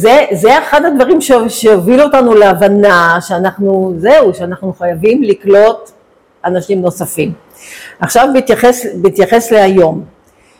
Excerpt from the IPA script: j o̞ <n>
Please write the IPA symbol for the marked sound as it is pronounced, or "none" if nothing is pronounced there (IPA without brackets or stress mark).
m